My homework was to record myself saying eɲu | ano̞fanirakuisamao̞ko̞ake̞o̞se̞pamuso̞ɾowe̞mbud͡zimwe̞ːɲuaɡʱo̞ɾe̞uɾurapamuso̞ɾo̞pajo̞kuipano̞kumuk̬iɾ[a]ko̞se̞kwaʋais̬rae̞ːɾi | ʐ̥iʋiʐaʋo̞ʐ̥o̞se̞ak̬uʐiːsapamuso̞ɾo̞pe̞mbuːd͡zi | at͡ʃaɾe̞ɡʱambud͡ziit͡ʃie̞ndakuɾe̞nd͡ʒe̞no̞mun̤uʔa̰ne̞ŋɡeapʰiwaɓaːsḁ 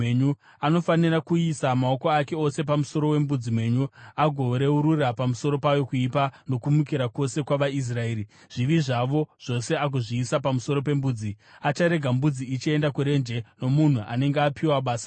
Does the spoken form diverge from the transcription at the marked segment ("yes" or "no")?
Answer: no